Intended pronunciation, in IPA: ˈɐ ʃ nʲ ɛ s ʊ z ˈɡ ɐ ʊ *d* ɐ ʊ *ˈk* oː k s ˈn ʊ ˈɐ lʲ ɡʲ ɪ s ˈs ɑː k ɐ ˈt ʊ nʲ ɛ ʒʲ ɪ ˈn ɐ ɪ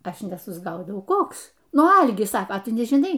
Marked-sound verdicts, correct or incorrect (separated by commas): correct, correct